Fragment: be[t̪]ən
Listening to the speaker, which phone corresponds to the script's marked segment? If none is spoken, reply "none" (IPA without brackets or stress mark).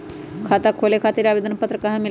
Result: d̪